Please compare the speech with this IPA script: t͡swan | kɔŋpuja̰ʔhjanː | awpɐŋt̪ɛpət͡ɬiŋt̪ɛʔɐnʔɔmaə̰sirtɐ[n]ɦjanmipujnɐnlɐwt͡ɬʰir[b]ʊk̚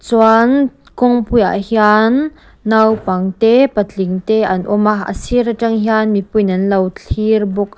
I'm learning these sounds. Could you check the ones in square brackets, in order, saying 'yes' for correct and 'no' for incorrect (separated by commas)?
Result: no, yes